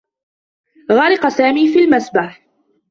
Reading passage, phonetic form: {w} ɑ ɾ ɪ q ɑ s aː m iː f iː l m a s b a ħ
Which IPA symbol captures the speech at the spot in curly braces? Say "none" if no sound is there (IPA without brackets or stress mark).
ɣ